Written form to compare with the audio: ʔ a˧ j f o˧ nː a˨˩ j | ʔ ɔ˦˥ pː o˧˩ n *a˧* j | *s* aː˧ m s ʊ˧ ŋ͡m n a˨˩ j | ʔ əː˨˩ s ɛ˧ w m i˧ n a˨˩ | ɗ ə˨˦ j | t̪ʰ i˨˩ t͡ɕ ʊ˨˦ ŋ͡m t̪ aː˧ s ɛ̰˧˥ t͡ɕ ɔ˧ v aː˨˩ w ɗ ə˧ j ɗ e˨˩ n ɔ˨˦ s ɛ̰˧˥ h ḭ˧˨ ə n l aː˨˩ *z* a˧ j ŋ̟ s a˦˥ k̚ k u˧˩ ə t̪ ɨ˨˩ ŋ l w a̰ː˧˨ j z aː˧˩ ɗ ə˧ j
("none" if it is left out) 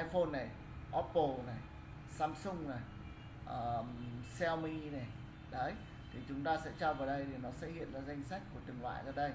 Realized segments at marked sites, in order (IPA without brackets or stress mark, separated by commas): a˨˩, s, z